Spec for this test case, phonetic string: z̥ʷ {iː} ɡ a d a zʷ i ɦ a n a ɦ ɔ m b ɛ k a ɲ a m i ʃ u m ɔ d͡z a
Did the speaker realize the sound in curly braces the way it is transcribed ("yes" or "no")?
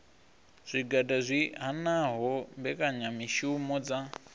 no